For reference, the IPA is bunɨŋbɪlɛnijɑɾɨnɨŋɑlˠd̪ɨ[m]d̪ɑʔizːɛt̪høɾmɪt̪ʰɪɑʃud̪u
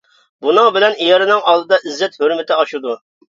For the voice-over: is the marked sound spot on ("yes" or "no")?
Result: no